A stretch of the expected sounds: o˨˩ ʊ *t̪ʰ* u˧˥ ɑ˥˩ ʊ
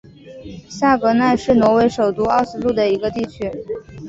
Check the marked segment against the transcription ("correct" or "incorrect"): incorrect